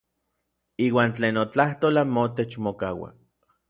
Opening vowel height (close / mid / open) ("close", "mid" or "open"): close